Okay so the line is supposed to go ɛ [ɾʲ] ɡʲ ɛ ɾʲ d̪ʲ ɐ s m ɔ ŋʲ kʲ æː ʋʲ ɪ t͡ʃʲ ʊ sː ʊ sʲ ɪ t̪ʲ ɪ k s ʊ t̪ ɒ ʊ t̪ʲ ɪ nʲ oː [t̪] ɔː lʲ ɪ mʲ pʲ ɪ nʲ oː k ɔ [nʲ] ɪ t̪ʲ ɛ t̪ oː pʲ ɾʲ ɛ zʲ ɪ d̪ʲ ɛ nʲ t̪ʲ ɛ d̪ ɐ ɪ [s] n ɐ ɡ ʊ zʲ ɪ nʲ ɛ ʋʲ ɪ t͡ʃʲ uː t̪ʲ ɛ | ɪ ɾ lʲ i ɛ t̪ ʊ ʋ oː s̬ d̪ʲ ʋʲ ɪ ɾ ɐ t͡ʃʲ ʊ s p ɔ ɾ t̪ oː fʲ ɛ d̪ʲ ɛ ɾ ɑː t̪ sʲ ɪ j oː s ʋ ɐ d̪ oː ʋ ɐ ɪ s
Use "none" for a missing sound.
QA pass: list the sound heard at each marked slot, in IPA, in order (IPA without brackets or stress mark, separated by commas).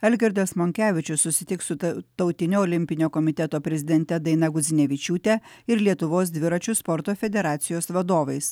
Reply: lʲ, none, mʲ, none